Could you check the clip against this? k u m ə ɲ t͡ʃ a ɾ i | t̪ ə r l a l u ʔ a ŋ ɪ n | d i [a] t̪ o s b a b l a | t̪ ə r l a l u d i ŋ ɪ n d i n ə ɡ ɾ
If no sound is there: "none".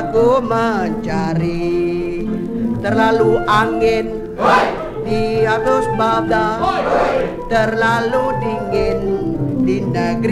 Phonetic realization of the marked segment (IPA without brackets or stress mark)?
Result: a